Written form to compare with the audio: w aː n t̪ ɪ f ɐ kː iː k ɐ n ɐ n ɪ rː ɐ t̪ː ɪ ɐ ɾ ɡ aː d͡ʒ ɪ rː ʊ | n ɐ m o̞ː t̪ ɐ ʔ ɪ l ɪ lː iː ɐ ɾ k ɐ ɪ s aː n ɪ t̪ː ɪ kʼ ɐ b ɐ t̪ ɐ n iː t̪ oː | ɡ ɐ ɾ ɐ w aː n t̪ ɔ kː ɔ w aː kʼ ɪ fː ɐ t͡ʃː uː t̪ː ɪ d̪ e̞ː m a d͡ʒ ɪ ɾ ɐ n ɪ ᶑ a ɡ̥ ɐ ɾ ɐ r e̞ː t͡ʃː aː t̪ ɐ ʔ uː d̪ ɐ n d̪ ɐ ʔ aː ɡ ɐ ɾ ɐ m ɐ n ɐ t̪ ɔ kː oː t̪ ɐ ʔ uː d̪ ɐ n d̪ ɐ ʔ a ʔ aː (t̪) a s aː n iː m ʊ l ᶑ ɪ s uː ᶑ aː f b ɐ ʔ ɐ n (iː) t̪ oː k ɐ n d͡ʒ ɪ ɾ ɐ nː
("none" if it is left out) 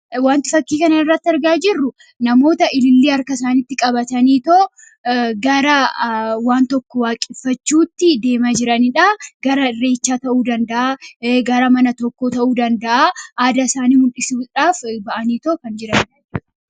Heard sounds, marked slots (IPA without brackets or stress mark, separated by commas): d̪, iː